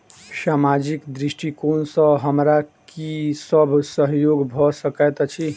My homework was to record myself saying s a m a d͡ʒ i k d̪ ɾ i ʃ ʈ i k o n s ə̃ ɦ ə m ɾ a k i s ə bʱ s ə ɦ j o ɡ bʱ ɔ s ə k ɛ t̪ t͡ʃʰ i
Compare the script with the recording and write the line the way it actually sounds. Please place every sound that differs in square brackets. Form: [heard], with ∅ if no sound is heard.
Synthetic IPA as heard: s a m a d͡ʒ i k d̪ ɾ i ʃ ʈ i k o n s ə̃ ɦ ə m ɾ a k i s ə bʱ s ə ɦ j o ɡ bʱ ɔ s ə k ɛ t̪ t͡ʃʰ i